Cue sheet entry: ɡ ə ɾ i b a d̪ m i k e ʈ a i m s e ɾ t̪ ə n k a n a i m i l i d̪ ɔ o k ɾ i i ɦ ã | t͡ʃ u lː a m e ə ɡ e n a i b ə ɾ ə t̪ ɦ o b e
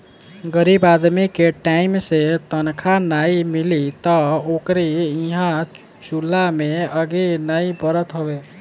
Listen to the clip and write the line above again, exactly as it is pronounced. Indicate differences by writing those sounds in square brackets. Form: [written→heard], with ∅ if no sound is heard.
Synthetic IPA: ɡ ə ɾ i b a d̪ m i k e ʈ a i m s e [ɾ→∅] t̪ ə n [k→kʰ] a n a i m i l i [d̪→t̪] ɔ o k ɾ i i ɦ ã | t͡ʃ u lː a m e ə ɡ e n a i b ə ɾ ə t̪ ɦ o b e